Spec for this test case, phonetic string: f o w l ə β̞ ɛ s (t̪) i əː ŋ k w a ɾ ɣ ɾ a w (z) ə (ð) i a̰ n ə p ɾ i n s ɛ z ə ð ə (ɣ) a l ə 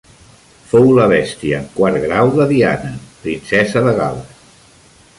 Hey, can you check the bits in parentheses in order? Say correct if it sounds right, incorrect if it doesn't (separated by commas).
correct, incorrect, correct, correct